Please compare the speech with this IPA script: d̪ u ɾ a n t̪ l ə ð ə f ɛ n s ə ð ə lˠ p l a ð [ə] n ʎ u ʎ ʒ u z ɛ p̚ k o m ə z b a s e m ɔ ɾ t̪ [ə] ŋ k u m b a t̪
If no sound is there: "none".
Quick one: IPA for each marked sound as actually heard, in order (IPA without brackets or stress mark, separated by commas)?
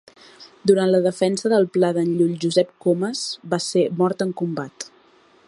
ə, ə